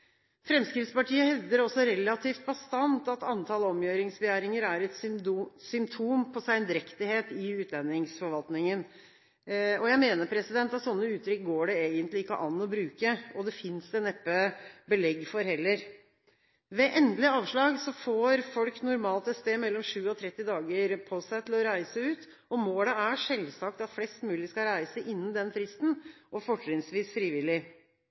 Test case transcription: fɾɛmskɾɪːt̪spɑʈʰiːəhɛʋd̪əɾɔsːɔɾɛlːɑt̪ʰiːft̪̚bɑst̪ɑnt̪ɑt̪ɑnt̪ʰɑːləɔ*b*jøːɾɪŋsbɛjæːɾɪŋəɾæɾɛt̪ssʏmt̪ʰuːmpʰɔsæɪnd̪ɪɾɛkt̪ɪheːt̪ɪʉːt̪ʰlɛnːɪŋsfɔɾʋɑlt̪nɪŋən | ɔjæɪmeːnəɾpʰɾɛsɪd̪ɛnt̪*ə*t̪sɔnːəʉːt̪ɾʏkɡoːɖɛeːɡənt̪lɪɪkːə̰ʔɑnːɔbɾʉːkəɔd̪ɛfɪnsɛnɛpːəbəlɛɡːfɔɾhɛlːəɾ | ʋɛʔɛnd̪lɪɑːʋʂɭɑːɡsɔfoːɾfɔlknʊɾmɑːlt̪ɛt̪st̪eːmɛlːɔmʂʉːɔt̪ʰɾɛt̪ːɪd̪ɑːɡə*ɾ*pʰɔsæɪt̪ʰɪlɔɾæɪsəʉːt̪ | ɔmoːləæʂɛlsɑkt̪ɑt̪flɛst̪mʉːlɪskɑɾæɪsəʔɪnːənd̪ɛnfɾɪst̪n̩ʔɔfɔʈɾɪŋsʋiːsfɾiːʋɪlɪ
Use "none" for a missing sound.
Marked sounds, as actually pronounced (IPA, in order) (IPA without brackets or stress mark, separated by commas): m, ɑ, ɾ